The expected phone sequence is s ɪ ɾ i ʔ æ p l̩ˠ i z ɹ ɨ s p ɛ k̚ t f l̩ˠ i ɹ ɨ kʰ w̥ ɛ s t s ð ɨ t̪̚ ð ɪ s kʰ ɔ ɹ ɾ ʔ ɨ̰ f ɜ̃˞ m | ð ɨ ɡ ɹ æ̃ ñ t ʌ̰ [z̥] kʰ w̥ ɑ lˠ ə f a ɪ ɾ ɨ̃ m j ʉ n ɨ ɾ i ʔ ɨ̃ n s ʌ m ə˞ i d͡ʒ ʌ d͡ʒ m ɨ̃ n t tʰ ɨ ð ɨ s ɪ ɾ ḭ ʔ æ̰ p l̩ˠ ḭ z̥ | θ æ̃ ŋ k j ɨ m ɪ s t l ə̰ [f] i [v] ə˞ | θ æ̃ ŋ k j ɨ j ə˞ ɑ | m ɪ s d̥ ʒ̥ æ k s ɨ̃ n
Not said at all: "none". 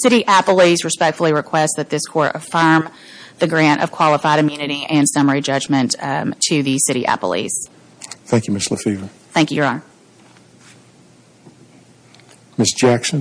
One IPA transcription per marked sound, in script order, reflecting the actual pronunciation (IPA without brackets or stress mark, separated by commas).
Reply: v̥, f, v